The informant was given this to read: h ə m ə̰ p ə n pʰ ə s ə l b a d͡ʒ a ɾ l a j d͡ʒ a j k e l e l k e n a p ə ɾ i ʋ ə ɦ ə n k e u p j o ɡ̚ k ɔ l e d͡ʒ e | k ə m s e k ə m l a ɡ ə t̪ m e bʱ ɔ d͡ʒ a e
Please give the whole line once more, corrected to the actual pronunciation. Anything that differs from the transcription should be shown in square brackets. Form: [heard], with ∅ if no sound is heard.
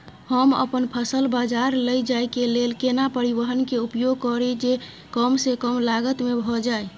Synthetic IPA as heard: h ə m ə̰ p ə n pʰ ə s ə l b a d͡ʒ a ɾ l [ə] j d͡ʒ a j k e l e l k e n a p ə ɾ i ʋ ə ɦ ə n k e u p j o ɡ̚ k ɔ [ɾ] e d͡ʒ e | k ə m s e k ə m l a ɡ ə t̪ m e bʱ ɔ d͡ʒ a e